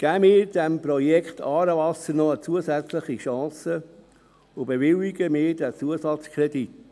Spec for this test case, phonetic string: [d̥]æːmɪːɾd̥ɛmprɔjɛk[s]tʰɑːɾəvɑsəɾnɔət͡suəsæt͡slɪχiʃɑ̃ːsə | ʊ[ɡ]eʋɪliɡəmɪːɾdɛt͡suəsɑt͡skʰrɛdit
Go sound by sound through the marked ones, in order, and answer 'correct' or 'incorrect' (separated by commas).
incorrect, incorrect, incorrect